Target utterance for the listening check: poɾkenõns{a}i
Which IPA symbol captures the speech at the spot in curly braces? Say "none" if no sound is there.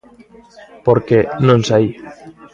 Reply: a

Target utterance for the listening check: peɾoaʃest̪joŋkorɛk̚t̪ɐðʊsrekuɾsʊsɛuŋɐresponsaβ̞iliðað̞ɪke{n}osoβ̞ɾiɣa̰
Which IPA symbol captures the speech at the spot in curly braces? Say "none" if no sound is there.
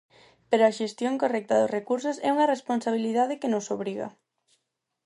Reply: n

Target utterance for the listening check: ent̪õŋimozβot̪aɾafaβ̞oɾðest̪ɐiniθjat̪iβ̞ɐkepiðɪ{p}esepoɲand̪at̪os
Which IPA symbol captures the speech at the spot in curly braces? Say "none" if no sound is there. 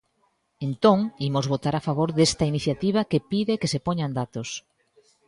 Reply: k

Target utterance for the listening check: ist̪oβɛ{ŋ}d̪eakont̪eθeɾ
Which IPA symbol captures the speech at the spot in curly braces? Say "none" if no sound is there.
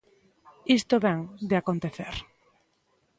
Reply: ŋ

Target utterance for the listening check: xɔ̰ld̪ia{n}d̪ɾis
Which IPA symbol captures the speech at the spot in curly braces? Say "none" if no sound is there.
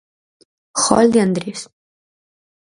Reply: n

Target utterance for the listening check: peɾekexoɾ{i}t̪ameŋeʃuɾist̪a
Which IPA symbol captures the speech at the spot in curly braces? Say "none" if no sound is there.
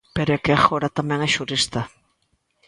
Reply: a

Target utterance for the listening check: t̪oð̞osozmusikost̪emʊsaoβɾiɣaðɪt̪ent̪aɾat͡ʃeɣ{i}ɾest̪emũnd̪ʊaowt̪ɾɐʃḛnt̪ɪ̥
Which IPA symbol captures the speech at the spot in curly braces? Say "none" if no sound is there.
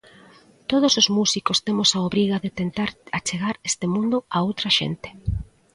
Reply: a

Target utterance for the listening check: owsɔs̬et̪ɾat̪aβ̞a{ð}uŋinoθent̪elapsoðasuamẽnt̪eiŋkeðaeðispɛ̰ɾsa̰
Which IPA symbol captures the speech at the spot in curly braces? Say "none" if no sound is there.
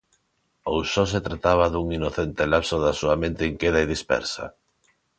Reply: ð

